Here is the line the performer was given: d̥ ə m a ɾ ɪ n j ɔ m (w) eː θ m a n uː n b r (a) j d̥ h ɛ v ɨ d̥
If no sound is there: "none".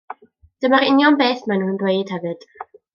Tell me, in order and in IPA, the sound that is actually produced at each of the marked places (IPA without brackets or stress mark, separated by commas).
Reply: b, e